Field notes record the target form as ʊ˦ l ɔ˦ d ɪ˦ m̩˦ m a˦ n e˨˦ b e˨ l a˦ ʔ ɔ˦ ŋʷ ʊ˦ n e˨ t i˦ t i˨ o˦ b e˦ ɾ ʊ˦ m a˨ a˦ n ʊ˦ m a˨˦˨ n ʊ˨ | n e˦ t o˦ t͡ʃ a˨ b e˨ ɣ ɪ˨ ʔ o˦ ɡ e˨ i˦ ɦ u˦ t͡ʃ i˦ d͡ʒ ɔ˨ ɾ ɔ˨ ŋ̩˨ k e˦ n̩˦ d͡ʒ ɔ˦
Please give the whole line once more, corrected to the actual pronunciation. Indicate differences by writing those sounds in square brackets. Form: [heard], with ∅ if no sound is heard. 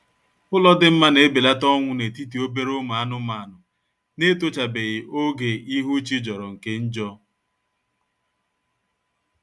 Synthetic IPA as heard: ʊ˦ l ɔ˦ d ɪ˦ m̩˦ m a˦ n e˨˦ b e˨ l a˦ [t] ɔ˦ ŋʷ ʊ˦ n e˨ t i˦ t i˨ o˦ b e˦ ɾ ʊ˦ m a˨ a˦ n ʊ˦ m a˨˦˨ n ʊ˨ | n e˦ t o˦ t͡ʃ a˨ b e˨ ɣ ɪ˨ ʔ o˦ ɡ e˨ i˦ ɦ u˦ t͡ʃ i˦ d͡ʒ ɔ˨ ɾ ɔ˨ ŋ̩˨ k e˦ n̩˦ d͡ʒ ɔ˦